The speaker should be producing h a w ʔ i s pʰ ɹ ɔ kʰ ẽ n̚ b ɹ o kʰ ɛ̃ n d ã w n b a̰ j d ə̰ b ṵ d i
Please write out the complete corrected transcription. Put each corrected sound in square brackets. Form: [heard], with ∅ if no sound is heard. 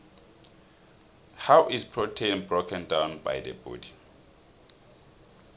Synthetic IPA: h a w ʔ i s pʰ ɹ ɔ [tʰ] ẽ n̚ b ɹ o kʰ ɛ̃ n d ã w n b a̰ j d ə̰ b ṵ d i